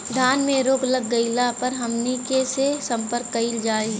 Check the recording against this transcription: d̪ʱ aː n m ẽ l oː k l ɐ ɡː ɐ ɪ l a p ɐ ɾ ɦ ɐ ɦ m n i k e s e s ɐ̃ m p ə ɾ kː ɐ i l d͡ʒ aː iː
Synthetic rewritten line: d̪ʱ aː n m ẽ ɾ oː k l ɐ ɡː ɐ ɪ l a p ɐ ɾ ɦ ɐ m n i k e s e s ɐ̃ m p ə ɾ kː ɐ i l d͡ʒ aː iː

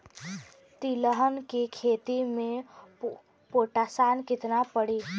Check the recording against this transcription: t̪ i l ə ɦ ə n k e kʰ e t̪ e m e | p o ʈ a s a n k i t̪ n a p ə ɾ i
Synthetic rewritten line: t̪ i l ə ɦ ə n k e kʰ e t̪ i m e | p o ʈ a s a n k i t̪ n a p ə ɽ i

